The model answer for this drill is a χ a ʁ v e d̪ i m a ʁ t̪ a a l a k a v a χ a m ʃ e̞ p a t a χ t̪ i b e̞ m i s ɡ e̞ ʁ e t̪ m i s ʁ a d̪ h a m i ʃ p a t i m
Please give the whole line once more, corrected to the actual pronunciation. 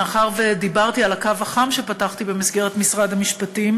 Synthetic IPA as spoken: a χ a ʁ v e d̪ i b a ʁ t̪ i a l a k a v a χ a m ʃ e̞ p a t a χ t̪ i b e̞ m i s ɡ e̞ ʁ e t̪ m i s ʁ a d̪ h a m i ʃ p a t i m